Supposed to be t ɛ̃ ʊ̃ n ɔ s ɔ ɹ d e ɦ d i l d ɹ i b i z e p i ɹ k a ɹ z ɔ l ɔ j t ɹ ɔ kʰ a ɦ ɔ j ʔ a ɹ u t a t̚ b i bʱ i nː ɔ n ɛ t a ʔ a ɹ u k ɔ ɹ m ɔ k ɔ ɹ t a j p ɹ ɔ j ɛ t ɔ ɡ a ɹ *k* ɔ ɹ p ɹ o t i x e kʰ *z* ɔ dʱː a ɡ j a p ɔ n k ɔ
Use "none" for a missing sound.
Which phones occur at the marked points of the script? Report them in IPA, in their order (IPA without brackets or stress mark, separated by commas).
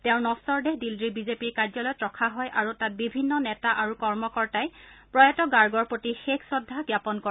ɡ, s